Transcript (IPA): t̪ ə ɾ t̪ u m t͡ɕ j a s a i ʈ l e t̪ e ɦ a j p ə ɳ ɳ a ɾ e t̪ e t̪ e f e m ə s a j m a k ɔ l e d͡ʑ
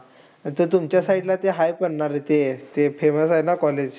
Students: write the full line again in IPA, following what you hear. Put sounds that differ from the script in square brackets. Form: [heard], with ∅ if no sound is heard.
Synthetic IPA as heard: t̪ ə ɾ t̪ u m t͡ɕ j a s a i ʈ l [a] t̪ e ɦ a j p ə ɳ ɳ a ɾ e t̪ e t̪ e f e m ə s a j [n] a k ɔ l e d͡ʑ